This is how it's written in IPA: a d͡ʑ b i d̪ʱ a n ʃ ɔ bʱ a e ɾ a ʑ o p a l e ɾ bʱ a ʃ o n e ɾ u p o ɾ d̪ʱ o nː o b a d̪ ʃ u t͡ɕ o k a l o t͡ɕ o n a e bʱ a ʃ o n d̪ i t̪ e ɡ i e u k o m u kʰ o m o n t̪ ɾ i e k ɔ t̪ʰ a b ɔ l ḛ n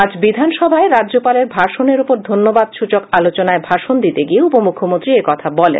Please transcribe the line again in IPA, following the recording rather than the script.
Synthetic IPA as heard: a d͡ʑ b i d̪ʱ a n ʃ ɔ bʱ a e ɾ a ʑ o p a l e ɾ bʱ a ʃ o n e ɾ u p o ɾ d̪ʱ o nː o b a d̪ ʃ u t͡ɕ o k a l o t͡ɕ o n a e bʱ a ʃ o n d̪ i t̪ e ɡ i e u p o m u kʰ o m o n t̪ ɾ i e k ɔ t̪ʰ a b ɔ l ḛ n